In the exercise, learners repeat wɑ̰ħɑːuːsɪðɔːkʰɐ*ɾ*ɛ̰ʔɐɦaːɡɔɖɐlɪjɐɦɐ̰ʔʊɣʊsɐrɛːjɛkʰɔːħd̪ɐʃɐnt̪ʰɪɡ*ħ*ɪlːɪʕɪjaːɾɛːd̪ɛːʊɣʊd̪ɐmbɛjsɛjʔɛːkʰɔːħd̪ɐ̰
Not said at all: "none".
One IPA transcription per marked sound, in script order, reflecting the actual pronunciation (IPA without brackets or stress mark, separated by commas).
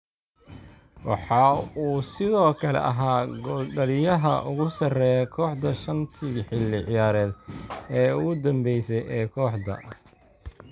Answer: l, ħ